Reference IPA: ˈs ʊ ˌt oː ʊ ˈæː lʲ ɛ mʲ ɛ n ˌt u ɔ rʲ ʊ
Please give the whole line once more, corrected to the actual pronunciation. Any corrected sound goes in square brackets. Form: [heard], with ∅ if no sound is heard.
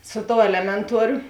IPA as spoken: ˈs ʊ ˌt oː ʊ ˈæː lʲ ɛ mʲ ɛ n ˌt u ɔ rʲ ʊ